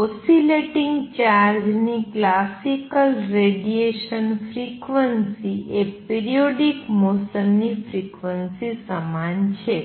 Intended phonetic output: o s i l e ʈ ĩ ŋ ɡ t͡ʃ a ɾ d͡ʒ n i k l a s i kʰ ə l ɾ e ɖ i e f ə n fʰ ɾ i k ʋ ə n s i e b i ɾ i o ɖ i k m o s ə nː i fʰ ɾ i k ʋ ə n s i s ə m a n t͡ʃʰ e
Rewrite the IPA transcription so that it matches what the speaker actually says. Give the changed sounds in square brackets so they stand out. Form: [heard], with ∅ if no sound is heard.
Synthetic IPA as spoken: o s i l e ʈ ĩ ŋ ɡ t͡ʃ a ɾ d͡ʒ n i k l a s i [k] ə l ɾ e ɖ i e [ʃ] ə n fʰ ɾ i k ʋ ə n s i e [p] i ɾ i o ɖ i k m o s ə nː i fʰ ɾ i k ʋ ə n s i s ə m a n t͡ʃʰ e